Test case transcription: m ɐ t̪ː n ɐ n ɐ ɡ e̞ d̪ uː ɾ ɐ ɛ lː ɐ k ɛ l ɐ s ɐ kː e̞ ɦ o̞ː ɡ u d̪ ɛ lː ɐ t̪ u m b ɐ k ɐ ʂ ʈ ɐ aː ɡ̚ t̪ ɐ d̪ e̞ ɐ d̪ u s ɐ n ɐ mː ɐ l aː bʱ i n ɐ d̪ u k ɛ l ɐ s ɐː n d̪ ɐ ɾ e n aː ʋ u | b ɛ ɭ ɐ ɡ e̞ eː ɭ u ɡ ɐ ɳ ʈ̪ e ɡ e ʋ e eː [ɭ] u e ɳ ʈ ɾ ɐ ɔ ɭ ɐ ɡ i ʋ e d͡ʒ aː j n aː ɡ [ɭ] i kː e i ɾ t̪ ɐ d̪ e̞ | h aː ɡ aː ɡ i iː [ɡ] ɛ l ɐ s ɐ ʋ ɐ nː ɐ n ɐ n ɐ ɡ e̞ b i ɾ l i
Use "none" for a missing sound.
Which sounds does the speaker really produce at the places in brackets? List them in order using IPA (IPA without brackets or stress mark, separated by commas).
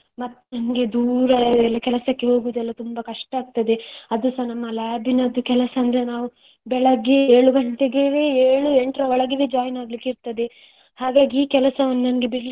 ɭ, l, k